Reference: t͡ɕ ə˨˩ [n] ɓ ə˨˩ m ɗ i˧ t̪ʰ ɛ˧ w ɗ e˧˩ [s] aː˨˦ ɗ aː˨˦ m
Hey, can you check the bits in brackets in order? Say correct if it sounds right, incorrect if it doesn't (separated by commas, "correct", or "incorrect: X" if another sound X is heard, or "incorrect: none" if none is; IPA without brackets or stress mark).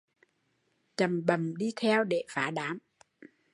incorrect: m, incorrect: f